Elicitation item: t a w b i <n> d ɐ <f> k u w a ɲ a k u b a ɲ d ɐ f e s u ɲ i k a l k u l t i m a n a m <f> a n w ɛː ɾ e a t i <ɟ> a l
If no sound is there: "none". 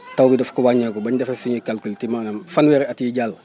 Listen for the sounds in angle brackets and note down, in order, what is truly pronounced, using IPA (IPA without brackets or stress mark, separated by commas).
none, f, f, ɟ